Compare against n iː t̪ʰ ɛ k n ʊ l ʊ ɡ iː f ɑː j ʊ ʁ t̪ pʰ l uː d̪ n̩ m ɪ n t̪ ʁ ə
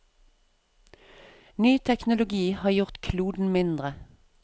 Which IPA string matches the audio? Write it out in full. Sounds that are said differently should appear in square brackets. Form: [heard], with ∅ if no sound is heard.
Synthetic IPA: n [yː] t̪ʰ ɛ k n ʊ l ʊ ɡ iː [h] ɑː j ʊ ʁ t̪ [kʰ] l uː d̪ n̩ m ɪ n [d̪] ʁ ə